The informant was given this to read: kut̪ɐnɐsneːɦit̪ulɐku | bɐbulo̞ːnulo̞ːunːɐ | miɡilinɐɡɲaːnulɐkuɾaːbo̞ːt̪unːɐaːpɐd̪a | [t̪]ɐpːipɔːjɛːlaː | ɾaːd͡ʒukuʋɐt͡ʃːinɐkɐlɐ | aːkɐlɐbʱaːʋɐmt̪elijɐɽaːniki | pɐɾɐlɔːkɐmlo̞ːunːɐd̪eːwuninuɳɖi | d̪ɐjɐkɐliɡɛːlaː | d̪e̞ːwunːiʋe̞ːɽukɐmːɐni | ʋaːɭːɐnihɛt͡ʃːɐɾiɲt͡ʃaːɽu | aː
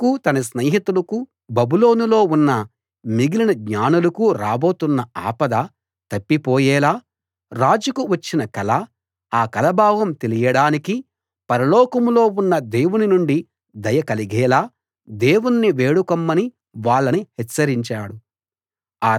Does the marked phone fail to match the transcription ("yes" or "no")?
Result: no